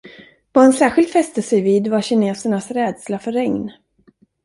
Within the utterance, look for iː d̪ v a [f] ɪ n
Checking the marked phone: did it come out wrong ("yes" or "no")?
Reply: yes